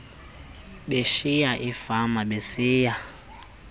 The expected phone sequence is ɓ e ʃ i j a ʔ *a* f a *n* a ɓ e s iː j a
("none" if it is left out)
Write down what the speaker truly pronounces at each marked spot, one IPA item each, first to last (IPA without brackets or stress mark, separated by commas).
i, m